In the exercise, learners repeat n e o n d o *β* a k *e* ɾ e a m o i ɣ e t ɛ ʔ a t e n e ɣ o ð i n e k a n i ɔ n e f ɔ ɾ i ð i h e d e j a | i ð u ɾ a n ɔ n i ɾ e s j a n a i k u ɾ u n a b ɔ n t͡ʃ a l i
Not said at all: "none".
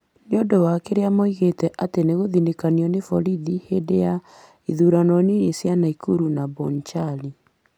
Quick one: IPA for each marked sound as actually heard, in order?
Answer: w, e

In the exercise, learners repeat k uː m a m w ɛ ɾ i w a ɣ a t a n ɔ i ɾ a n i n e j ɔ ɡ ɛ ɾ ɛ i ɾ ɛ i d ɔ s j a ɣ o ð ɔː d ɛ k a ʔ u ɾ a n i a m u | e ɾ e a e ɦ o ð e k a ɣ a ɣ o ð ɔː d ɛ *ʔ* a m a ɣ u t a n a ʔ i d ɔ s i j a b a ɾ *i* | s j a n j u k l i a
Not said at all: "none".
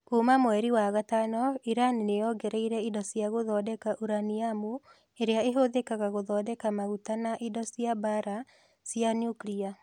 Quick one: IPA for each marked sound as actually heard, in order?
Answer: k, a

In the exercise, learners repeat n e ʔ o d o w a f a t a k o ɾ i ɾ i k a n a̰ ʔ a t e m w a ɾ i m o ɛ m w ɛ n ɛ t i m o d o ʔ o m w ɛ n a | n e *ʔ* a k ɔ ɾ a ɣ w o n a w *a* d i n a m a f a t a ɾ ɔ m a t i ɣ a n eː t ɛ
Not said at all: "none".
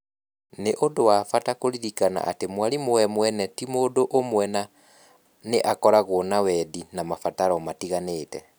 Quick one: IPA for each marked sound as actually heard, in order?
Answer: ʔ, ɛ

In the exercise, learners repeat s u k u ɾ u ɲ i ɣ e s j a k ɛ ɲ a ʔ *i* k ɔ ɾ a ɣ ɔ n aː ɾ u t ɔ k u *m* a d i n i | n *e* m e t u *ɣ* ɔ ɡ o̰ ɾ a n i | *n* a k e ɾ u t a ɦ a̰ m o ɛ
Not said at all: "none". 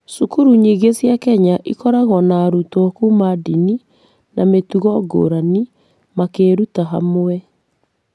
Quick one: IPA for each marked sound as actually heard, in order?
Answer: i, m, a, ɣ, m

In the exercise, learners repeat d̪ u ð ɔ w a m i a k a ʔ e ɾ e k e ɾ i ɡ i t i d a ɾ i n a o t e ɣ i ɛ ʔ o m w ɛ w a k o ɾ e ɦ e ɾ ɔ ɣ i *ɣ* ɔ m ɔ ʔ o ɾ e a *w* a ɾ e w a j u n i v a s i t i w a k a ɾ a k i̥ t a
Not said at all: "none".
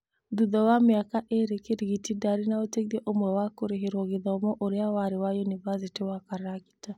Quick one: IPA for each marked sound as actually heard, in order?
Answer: ð, w

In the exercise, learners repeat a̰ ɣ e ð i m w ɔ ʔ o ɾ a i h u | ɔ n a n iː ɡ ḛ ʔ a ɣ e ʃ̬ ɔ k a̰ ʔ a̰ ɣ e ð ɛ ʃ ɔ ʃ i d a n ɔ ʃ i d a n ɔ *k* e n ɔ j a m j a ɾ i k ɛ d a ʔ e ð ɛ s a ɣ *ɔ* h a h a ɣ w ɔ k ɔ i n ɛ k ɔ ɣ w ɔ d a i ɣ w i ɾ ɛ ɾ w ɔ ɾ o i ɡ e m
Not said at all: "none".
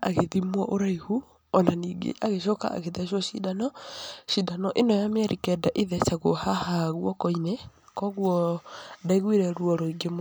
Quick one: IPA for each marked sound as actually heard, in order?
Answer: ʔ, o

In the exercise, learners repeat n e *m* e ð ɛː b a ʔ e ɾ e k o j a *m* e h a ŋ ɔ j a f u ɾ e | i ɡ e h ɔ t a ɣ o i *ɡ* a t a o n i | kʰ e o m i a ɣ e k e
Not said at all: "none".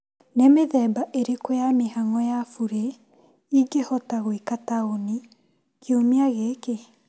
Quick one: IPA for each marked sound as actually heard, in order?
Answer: m, m, k

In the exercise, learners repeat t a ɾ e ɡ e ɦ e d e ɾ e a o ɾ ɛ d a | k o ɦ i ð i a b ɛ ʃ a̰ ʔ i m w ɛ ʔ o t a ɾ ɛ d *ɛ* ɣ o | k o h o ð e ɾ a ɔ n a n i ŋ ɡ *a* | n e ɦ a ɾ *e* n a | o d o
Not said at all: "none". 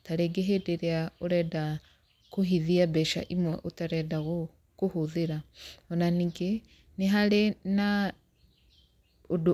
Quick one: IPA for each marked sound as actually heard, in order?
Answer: a, e, e

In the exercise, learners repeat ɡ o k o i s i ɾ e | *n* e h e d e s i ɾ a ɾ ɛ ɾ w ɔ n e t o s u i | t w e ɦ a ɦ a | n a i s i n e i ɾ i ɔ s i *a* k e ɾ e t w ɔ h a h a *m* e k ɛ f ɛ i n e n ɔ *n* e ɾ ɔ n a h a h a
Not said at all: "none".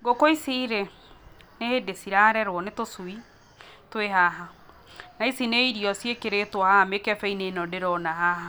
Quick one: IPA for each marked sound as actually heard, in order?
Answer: n, e, m, d

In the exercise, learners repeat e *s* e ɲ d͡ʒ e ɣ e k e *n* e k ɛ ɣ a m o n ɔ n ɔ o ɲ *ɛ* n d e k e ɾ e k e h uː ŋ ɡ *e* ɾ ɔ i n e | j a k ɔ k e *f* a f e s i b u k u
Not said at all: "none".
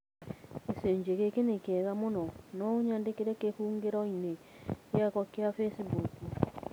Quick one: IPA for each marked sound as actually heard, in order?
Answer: s, n, a, e, none

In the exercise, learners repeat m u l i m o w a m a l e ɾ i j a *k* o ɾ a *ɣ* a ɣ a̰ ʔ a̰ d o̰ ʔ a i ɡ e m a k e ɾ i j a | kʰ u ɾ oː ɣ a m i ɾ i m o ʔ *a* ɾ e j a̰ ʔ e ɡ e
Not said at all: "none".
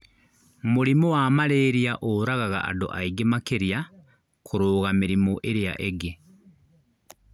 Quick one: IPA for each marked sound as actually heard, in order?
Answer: ʔ, ɣ, e

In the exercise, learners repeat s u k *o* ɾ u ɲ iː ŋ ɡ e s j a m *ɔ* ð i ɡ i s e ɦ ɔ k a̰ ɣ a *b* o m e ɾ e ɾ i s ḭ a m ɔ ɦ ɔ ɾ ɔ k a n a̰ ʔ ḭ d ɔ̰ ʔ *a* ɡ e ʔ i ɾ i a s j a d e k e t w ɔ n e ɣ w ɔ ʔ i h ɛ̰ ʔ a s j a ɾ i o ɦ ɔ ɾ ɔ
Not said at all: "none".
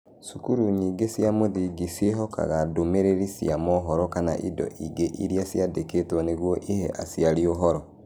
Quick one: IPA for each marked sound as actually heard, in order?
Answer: u, o, d, i

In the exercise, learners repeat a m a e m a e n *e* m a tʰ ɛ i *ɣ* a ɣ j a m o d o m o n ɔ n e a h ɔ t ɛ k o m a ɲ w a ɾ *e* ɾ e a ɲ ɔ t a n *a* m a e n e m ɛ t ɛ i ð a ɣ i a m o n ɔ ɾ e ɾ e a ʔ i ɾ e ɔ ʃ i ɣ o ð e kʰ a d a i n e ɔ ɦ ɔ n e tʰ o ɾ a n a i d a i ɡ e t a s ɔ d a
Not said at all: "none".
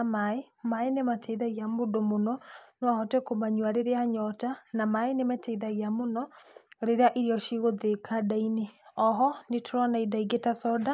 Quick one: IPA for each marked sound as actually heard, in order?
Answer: e, ð, e, a

